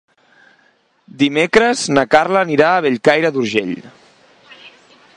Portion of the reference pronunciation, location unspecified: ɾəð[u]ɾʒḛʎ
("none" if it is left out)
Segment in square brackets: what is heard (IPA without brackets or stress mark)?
u